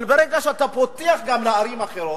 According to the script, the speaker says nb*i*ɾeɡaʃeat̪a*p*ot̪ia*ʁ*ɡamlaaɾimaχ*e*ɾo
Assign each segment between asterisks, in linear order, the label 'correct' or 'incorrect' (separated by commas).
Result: incorrect, correct, incorrect, correct